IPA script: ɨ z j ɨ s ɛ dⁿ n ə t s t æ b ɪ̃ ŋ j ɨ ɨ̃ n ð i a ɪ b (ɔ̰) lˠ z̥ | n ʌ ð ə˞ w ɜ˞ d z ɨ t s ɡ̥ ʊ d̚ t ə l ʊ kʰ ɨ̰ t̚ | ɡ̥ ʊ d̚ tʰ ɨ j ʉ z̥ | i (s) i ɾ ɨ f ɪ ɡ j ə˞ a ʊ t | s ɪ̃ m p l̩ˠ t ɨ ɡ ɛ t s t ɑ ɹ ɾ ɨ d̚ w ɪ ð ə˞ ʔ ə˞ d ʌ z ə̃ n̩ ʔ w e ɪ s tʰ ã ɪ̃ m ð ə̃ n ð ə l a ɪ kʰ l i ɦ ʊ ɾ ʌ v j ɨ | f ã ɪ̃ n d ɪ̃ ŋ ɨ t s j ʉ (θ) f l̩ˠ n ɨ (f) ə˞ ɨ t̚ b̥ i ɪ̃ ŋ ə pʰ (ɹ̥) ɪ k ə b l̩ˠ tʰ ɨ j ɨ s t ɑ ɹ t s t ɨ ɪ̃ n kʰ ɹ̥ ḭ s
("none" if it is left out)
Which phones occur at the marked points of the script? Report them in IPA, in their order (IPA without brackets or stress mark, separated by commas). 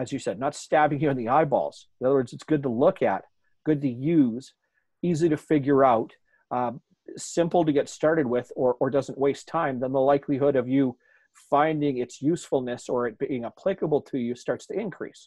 ɔ̰, z, s, s, l̥